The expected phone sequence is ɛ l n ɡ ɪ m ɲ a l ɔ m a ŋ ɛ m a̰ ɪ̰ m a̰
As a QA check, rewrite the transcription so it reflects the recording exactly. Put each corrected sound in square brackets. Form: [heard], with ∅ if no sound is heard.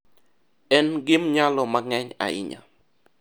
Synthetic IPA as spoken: ɛ [∅] n ɡ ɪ m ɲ a l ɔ m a ŋ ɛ [ɲ] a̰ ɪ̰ [ɲ] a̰

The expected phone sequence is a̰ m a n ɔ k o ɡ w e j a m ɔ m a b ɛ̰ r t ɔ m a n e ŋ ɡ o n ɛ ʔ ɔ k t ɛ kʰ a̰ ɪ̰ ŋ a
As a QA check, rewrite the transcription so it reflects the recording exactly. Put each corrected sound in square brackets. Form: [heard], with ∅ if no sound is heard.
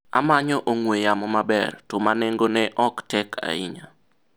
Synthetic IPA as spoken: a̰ m a [ɲ] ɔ [ʔ] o [ŋ] w e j a m ɔ m a b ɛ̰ r t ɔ m a n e ŋ ɡ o n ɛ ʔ ɔ k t ɛ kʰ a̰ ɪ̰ [ɲ] a

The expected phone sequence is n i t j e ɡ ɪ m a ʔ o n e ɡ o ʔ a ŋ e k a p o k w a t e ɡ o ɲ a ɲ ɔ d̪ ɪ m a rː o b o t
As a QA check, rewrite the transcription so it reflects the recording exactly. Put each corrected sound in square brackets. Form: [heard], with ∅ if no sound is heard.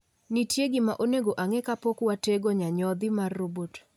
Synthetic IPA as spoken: n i t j e ɡ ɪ m a ʔ o n e ɡ o ʔ a ŋ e k a p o k w a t e ɡ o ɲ a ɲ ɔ d̪ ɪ m a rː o b o t

